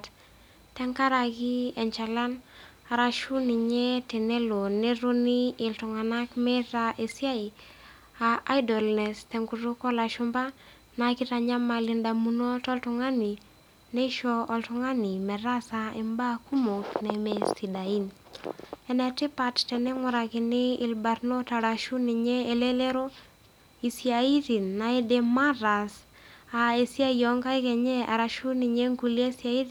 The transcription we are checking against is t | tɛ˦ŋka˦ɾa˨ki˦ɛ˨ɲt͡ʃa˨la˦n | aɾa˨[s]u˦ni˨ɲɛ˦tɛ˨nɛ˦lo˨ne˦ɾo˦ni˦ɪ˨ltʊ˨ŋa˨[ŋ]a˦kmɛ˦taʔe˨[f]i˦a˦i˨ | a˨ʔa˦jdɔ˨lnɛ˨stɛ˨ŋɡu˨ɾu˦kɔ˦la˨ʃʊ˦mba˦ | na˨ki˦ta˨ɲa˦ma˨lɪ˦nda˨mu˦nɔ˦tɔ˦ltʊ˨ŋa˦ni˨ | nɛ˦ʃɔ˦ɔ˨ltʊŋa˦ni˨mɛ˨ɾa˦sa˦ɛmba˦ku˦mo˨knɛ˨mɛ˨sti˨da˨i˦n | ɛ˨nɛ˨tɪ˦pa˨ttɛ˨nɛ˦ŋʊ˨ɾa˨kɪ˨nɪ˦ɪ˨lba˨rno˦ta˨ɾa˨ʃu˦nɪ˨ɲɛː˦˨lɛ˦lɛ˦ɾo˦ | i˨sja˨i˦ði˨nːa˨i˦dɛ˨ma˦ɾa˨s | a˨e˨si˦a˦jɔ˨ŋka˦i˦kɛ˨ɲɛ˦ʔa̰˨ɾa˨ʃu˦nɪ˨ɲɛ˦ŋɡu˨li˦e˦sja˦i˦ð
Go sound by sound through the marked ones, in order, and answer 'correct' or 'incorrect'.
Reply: incorrect: ʃ, incorrect: n, incorrect: s

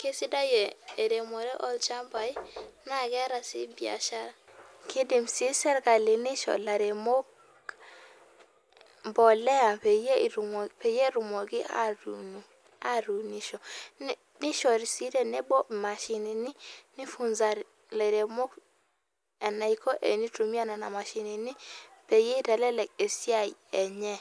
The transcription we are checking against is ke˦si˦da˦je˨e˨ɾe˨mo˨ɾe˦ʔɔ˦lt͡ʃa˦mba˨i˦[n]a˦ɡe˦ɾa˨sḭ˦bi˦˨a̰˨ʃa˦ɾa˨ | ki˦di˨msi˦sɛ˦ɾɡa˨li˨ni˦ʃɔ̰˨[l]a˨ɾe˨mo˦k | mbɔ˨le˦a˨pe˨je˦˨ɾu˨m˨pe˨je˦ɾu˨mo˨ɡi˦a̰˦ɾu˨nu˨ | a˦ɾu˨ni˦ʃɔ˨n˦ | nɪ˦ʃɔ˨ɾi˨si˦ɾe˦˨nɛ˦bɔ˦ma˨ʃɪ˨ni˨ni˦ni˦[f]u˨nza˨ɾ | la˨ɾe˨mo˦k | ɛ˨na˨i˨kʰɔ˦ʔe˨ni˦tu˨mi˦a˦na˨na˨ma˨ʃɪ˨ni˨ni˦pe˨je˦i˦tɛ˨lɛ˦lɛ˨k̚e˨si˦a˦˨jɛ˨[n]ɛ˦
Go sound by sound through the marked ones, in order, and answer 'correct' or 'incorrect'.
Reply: correct, correct, correct, incorrect: ɲ

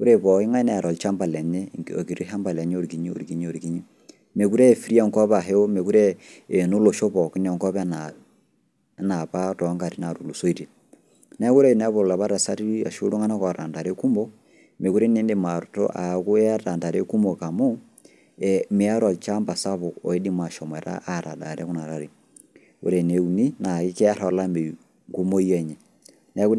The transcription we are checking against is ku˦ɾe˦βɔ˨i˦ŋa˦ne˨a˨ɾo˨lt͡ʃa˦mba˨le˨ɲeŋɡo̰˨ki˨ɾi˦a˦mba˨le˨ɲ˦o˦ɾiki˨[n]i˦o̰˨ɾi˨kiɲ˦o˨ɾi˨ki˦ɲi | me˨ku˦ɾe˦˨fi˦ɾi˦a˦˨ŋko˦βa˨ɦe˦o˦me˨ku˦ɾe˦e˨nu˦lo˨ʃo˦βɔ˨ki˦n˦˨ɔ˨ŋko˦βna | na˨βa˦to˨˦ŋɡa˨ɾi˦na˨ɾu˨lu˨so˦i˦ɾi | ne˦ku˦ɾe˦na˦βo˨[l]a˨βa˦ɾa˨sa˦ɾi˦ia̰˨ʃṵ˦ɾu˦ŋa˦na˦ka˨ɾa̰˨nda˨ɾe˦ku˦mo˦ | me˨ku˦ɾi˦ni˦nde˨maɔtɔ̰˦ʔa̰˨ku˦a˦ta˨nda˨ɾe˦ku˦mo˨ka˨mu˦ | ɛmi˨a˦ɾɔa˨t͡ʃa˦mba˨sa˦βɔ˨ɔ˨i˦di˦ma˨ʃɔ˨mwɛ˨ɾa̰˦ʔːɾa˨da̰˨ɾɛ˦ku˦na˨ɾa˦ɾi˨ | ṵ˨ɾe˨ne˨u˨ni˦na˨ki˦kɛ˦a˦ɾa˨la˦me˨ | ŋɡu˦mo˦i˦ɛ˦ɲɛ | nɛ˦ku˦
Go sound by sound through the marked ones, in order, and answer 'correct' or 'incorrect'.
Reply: incorrect: ɲ, correct

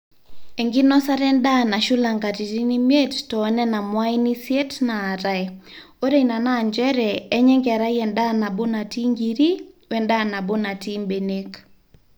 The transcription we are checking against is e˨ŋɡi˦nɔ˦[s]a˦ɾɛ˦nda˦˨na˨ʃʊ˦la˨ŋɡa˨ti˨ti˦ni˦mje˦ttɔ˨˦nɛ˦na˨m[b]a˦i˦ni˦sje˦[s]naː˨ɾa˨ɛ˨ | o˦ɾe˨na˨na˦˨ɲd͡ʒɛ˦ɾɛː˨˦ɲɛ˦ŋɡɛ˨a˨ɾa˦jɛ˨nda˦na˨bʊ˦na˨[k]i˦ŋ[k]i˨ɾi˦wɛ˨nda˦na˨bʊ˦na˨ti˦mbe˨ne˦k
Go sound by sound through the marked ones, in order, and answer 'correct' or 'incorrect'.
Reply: correct, incorrect: w, incorrect: t, incorrect: t, incorrect: ɡ

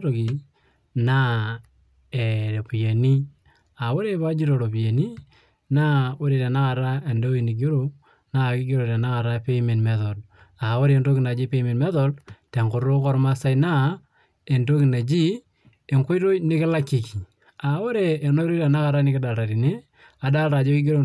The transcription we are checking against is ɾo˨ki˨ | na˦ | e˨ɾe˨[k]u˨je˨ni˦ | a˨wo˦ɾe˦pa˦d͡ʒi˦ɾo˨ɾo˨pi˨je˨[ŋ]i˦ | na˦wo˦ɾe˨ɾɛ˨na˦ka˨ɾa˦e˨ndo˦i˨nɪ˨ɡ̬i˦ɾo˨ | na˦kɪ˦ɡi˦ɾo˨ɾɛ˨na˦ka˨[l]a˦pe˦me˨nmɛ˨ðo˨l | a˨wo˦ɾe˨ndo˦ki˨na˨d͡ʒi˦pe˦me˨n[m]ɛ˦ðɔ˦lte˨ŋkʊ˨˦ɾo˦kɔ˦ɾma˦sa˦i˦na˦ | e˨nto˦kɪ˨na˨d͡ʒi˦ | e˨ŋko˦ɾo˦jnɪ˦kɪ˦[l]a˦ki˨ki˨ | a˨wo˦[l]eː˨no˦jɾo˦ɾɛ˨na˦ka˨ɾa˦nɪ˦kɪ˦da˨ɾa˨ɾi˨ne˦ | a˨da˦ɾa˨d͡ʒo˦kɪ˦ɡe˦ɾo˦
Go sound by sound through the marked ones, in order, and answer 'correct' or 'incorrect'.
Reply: incorrect: p, incorrect: n, incorrect: ɾ, correct, correct, incorrect: ɾ

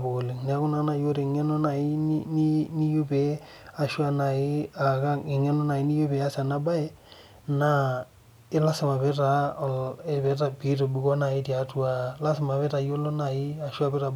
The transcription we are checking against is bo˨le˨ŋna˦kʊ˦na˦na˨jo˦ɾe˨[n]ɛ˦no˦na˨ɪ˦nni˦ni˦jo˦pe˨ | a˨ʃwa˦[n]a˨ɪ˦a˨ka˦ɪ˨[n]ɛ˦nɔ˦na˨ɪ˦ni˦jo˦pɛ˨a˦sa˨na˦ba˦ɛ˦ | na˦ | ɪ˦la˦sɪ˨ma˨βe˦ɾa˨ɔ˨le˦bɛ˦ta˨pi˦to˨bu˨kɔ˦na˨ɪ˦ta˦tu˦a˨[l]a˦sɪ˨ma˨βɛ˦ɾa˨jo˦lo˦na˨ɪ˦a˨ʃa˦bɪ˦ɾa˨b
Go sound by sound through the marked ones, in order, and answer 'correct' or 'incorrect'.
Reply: incorrect: ŋ, correct, incorrect: ŋ, correct

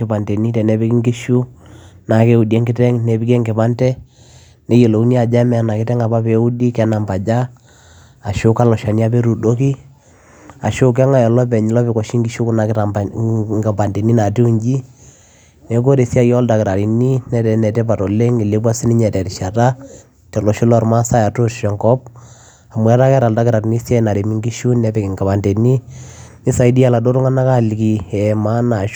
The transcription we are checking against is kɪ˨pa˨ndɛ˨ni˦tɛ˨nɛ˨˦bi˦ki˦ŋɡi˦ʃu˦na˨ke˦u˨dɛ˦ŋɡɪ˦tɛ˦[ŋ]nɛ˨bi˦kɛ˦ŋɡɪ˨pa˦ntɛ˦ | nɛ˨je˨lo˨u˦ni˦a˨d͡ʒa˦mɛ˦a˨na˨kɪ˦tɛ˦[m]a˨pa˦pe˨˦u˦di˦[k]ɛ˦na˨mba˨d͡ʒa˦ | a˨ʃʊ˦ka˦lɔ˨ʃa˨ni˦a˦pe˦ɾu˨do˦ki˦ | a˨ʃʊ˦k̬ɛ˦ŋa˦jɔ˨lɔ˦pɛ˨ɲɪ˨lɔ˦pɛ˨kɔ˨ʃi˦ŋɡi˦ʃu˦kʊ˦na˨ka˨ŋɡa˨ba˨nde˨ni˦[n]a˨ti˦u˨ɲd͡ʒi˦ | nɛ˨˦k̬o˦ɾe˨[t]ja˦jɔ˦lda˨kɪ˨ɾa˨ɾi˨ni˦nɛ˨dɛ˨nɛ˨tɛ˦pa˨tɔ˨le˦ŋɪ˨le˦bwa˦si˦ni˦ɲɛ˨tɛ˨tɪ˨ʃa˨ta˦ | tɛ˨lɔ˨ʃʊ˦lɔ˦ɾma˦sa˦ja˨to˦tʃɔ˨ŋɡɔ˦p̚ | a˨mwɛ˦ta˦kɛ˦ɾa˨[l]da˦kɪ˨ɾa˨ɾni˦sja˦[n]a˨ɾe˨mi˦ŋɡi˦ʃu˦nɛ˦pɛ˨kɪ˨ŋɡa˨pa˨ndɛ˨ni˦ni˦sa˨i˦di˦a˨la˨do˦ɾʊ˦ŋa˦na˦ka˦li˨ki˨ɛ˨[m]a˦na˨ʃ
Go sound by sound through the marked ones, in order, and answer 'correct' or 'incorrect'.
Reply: correct, incorrect: ŋ, correct, correct, incorrect: s, correct, correct, correct

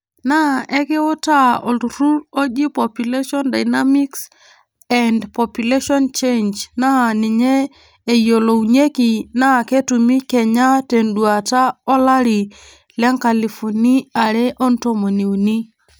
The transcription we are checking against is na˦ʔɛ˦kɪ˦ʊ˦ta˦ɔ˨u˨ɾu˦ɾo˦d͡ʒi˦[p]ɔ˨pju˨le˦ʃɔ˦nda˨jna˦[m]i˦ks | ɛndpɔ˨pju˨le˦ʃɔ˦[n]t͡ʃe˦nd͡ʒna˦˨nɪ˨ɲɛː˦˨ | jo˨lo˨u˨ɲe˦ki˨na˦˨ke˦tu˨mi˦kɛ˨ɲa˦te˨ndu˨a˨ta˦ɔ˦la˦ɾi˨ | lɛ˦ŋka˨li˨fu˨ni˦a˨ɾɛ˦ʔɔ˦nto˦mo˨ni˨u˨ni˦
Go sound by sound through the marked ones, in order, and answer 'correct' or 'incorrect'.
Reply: correct, correct, correct

